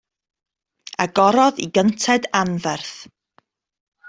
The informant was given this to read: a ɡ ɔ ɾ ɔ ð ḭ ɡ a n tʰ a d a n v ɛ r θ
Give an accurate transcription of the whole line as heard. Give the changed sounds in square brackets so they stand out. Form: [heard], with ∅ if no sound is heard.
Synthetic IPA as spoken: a ɡ ɔ ɾ ɔ ð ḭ ɡ [ə] n tʰ [ɛ] d a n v ɛ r θ